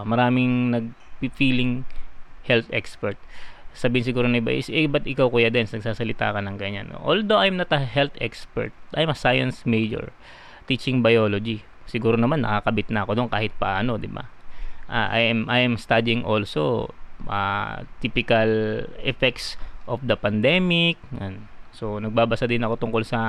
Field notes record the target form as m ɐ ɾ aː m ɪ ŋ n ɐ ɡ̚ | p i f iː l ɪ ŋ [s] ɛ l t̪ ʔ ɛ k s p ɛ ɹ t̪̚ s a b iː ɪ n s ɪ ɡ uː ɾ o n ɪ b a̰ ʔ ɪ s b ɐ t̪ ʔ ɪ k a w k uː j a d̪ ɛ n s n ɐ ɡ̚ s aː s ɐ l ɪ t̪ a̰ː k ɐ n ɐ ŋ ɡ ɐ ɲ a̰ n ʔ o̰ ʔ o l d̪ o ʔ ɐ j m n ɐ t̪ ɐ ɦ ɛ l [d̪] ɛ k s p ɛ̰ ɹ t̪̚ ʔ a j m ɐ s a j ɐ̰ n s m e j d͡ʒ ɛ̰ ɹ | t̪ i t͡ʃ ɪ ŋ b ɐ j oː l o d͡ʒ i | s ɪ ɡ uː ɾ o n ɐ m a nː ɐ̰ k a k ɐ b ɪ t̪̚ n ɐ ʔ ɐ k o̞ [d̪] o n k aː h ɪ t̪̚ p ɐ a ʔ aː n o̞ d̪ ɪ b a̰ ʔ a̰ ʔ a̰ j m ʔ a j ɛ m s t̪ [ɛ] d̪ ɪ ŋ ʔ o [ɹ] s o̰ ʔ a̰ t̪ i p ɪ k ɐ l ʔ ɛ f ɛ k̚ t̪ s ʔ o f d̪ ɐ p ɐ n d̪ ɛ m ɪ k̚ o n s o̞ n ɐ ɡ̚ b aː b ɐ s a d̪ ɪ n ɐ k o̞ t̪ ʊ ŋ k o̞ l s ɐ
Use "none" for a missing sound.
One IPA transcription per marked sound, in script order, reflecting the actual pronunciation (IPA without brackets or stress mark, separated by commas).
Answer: h, t̪, d̪, a, l